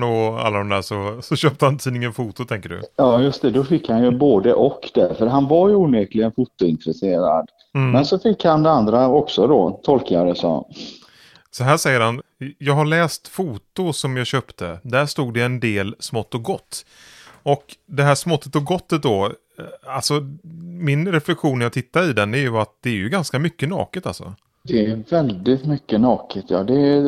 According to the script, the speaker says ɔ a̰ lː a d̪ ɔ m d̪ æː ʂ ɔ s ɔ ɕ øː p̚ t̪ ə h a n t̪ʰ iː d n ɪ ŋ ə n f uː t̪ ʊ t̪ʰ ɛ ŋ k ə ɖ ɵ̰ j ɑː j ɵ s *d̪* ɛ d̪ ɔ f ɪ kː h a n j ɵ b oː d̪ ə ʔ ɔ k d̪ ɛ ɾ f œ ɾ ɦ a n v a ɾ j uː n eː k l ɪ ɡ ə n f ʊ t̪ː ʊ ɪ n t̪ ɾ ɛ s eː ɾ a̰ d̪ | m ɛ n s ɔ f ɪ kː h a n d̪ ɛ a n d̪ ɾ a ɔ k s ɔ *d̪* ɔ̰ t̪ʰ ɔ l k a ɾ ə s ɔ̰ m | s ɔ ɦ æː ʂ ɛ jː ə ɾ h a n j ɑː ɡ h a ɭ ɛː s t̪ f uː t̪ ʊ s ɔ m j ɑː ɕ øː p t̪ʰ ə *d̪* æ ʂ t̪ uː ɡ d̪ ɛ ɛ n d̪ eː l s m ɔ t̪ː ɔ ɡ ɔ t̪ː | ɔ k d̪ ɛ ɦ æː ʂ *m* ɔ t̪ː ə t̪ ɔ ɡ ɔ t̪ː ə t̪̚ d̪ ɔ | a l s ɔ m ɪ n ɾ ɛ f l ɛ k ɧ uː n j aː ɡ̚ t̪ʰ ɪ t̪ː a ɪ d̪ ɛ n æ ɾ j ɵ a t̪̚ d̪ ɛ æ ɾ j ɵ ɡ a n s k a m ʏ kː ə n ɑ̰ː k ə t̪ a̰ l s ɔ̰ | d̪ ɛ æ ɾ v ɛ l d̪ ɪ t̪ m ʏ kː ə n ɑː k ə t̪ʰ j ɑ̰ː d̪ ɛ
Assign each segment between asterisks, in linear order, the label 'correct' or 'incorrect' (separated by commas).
incorrect, correct, correct, correct